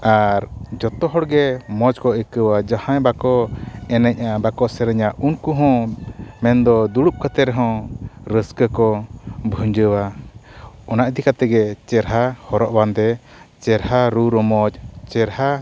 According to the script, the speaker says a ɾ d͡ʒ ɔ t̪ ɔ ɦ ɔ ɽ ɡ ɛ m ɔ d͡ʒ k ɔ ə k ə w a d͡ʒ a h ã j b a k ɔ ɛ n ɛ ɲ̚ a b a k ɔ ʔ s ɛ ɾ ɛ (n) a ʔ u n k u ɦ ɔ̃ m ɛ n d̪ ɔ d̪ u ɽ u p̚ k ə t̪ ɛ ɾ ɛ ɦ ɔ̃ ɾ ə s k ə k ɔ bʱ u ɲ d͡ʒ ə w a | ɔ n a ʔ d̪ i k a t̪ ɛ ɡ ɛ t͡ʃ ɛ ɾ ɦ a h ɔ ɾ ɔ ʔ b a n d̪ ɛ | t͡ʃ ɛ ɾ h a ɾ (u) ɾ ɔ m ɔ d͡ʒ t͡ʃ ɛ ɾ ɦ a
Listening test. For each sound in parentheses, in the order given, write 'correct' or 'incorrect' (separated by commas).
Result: incorrect, correct